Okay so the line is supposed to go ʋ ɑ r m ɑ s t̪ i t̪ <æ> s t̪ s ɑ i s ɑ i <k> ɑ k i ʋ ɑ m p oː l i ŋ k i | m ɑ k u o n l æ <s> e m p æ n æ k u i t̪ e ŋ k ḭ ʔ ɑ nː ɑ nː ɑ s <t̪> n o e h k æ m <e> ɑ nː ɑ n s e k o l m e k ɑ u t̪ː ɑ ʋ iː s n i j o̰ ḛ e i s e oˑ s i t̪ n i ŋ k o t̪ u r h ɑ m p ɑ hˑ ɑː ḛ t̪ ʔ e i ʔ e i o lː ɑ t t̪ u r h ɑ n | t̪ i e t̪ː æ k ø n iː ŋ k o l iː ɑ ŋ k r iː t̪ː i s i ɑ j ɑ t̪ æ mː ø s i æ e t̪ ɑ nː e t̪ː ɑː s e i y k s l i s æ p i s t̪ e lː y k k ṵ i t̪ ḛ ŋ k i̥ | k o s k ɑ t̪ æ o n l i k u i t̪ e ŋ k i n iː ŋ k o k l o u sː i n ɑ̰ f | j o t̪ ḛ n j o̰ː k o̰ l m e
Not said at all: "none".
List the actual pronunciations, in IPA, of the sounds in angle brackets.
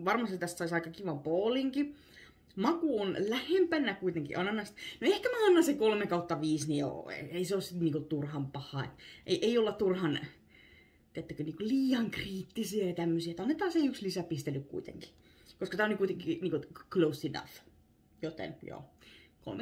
æ, k, h, t̪, æ

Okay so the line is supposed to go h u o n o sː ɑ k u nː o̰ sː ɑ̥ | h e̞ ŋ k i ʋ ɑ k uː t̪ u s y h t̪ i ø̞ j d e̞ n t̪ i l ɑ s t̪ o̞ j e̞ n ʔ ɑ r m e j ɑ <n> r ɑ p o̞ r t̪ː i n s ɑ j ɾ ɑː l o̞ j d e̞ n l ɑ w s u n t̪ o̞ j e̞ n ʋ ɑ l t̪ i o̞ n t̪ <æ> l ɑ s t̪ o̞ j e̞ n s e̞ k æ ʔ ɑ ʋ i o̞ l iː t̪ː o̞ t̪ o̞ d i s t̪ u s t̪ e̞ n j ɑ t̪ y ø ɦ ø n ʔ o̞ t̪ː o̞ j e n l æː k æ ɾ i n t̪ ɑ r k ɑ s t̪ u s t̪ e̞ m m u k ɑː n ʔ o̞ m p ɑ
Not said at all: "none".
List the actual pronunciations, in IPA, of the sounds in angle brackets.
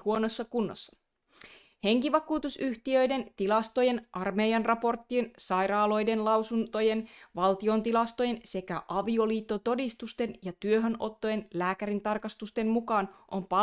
n, i

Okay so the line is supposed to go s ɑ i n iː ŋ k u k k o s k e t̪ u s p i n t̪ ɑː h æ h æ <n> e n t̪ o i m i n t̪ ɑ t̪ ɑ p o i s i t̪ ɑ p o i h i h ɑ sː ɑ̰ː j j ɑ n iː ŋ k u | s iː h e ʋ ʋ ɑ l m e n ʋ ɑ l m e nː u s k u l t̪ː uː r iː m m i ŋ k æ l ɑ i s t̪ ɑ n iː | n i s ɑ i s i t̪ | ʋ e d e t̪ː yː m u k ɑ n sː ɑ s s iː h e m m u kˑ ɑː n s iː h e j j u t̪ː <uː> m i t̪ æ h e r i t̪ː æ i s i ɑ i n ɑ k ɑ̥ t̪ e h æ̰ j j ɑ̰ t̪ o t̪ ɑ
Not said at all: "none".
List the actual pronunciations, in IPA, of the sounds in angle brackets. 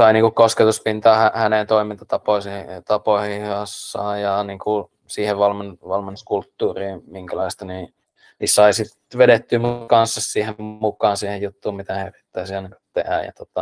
n, uː

